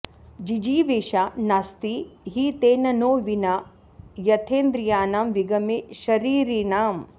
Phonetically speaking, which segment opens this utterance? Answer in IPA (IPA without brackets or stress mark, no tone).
d͡ʒ